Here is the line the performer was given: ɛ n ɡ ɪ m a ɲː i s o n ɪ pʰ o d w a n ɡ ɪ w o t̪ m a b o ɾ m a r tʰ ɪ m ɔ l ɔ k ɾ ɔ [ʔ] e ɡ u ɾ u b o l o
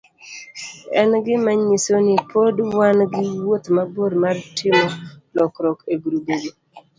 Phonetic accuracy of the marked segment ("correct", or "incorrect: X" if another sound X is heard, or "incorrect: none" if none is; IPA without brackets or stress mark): incorrect: k